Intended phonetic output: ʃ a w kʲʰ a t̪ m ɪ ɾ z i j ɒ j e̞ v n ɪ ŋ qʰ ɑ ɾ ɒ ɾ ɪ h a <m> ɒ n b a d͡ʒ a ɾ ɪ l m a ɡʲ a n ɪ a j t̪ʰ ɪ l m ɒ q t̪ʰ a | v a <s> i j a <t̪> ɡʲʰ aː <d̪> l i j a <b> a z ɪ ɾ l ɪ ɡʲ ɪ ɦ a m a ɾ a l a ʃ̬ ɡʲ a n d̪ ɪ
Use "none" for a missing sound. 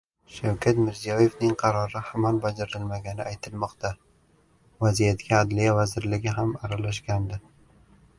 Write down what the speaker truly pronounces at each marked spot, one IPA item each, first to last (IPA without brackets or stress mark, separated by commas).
m, z, t̪, d̪, v